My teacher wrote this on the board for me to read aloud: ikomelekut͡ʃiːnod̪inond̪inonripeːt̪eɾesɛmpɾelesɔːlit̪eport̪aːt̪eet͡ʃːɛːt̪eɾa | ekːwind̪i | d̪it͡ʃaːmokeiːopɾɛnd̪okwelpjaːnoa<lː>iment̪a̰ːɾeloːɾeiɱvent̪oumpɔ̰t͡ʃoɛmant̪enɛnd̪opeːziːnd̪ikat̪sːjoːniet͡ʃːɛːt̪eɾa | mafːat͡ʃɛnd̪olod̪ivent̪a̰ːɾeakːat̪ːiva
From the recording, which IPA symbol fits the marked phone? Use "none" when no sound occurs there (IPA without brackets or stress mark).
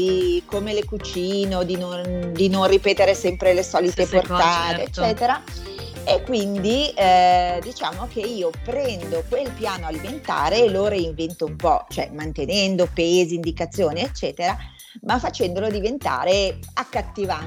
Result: l